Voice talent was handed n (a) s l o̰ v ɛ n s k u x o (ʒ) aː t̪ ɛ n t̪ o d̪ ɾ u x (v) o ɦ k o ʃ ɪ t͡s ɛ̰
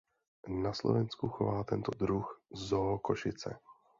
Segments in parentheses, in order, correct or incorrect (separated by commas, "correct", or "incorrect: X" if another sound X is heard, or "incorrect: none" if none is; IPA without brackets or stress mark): correct, incorrect: v, incorrect: z